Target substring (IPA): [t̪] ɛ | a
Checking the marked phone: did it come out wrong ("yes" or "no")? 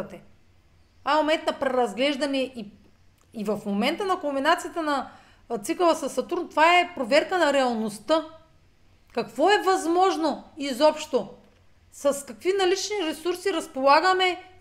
no